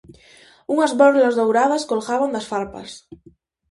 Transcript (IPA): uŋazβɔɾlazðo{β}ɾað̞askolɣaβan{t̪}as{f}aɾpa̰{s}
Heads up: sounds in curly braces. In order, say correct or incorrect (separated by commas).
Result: incorrect, incorrect, correct, correct